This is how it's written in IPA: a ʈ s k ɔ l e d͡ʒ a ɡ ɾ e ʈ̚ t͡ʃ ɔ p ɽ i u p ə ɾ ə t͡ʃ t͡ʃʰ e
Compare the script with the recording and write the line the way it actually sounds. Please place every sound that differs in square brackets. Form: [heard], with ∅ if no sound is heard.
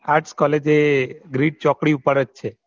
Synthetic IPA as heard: a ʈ s k ɔ l e d͡ʒ [e] ɡ ɾ [i] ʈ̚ t͡ʃ ɔ [k] ɽ i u p ə ɾ ə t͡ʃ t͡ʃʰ e

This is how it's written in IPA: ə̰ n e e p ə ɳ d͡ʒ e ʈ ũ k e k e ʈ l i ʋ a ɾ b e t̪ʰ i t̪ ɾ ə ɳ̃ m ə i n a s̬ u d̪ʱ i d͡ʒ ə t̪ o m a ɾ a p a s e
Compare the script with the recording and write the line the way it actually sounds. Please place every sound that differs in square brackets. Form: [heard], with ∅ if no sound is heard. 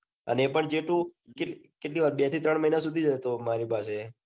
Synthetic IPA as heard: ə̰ n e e p ə ɳ d͡ʒ e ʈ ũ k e k e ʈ l i ʋ a ɾ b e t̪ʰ i t̪ ɾ ə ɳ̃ m ə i n a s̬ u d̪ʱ i d͡ʒ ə t̪ o m a ɾ [i] p a s e

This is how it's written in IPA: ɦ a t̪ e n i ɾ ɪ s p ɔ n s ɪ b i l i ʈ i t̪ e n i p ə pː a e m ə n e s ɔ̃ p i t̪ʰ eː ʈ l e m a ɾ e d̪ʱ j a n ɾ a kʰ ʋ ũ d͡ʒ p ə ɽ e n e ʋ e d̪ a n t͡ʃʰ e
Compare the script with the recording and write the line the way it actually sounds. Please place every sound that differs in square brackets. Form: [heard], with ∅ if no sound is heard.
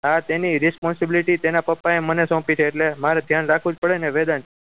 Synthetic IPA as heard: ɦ a t̪ e n i ɾ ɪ s p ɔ n s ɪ b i l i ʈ i t̪ e n [a] p ə pː a e m ə n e s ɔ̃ p i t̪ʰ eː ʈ l e m a ɾ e d̪ʱ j a n ɾ a kʰ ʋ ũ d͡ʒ p ə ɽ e n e ʋ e d̪ a n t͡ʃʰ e

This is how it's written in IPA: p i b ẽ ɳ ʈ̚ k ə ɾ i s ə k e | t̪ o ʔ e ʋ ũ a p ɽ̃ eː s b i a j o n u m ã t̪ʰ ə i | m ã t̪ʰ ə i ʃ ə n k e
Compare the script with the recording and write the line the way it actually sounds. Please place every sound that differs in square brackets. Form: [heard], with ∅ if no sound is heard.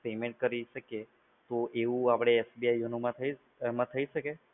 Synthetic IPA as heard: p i [m] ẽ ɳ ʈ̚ k ə ɾ i [ʃ] ə k e | t̪ o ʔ e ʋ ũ a p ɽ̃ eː s b i a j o n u m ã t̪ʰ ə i | m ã t̪ʰ ə i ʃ ə [∅] k e

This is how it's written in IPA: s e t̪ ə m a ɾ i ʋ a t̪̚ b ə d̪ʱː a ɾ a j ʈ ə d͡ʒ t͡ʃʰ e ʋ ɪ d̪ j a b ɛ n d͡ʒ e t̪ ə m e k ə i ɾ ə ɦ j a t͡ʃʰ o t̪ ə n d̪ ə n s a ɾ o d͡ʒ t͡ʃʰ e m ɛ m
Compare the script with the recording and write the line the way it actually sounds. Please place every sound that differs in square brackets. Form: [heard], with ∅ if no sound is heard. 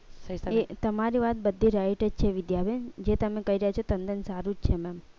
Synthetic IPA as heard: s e t̪ ə m a ɾ i ʋ a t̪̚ b ə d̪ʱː [i] ɾ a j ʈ ə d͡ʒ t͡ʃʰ e ʋ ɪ d̪ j a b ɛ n d͡ʒ e t̪ ə m e k ə i ɾ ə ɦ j a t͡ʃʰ o t̪ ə n d̪ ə n s a ɾ [u] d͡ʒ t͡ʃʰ e m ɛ m

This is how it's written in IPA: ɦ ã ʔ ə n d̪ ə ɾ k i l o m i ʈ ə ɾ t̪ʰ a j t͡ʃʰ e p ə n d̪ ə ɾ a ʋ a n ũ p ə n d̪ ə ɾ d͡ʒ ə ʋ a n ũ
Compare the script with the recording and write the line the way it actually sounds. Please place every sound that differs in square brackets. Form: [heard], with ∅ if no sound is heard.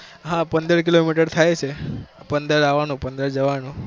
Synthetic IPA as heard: ɦ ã [p] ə n d̪ ə ɾ k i l o m i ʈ ə ɾ t̪ʰ a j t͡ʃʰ e p ə n d̪ ə ɾ a ʋ a n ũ p ə n d̪ ə ɾ d͡ʒ ə ʋ a n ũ

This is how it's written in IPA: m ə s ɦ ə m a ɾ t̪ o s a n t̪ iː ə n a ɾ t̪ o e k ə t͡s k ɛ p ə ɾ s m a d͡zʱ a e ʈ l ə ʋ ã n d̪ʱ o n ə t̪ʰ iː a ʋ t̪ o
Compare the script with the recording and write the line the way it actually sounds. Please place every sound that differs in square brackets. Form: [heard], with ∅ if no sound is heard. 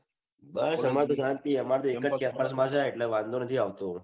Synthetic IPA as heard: [b] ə s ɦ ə m a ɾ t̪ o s a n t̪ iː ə [m] a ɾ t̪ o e k ə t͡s k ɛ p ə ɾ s m a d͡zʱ a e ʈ l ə ʋ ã n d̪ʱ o n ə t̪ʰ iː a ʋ t̪ o

